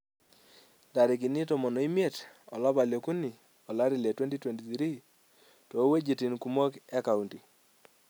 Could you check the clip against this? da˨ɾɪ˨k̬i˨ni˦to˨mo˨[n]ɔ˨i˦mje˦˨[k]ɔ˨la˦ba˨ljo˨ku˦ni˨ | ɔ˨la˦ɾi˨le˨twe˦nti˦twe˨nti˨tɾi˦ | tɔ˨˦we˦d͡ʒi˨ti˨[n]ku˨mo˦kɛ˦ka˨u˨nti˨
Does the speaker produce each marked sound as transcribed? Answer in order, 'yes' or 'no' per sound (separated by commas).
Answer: yes, no, yes